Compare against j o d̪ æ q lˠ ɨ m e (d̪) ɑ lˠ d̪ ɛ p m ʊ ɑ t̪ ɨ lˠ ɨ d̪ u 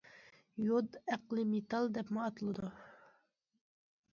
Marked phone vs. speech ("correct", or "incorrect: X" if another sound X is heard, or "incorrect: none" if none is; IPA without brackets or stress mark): incorrect: t̪